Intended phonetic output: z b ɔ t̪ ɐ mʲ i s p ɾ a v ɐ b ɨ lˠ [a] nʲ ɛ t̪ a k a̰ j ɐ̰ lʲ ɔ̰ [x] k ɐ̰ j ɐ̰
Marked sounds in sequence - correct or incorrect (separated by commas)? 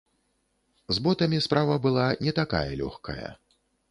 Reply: correct, correct